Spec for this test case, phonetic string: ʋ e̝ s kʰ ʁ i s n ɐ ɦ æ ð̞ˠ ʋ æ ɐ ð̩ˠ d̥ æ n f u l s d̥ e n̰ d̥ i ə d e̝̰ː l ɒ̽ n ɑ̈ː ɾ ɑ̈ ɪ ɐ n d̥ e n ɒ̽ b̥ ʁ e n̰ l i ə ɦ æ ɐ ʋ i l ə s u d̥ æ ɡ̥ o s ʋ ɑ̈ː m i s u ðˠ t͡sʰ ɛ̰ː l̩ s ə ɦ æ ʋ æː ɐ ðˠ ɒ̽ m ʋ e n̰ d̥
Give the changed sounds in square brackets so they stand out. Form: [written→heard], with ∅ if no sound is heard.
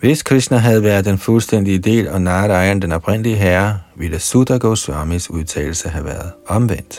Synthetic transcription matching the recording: ʋ e̝ s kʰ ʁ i s n ɐ ɦ æ ð̞ˠ ʋ æ ɐ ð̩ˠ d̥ [æ→e] n f u l s d̥ e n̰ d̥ i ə d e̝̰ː l ɒ̽ n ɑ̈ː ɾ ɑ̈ ɪ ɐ n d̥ e n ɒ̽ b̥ ʁ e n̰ l i ə ɦ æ ɐ ʋ i l ə s u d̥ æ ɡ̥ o s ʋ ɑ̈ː m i s u ðˠ t͡sʰ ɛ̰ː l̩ s ə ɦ æ ʋ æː ɐ ðˠ ɒ̽ m ʋ e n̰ d̥